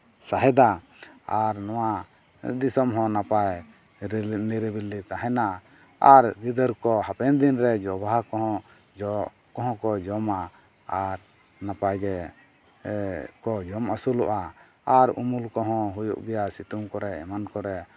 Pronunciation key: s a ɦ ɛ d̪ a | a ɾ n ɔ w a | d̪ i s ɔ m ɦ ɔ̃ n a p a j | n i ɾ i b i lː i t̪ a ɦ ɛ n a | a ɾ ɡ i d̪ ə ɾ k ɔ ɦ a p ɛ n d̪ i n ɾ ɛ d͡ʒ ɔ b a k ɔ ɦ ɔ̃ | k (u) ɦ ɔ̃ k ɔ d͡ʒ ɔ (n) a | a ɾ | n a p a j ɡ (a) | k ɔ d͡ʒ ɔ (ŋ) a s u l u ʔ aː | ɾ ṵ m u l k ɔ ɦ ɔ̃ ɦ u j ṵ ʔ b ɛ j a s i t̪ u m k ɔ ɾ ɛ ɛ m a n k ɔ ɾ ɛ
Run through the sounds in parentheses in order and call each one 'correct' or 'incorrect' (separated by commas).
incorrect, incorrect, incorrect, incorrect